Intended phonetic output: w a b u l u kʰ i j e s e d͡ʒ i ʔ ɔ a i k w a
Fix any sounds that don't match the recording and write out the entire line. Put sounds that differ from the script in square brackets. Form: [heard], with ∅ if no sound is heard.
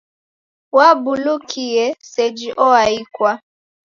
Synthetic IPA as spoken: w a b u l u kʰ i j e s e d͡ʒ i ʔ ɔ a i k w a